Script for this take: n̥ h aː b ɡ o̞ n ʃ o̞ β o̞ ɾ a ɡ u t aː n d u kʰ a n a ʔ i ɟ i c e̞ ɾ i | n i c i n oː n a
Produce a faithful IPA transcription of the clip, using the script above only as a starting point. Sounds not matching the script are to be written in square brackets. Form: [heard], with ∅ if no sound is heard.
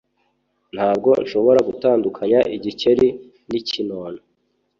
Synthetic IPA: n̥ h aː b ɡ o̞ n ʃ o̞ β o̞ ɾ a ɡ u t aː n d u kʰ a [ɲ] a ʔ i ɟ i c e̞ ɾ i | n i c i n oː n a